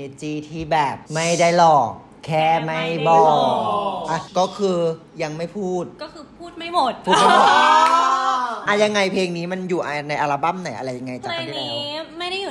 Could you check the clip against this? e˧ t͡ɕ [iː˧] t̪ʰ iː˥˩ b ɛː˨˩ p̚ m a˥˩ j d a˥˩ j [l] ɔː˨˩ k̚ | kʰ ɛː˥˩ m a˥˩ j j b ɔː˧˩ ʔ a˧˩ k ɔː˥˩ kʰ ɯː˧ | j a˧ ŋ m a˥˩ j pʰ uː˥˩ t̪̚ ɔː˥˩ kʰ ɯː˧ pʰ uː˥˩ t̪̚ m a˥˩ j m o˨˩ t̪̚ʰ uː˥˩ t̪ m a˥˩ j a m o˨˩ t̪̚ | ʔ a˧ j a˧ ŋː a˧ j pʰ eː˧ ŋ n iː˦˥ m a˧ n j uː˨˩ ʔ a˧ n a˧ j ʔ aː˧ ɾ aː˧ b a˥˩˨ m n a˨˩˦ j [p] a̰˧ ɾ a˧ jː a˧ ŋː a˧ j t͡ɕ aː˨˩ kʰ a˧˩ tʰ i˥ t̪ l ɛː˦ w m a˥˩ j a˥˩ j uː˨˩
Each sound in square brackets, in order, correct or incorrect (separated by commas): correct, correct, incorrect